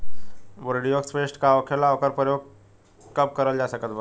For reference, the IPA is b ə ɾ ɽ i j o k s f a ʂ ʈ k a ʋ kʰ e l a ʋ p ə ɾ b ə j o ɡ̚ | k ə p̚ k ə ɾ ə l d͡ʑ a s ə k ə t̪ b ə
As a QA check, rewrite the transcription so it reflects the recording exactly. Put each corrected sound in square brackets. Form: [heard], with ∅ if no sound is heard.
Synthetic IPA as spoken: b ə ɾ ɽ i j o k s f [e] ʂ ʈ k a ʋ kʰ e l a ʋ [k] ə ɾ [p] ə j o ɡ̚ | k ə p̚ k ə ɾ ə l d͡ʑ a s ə k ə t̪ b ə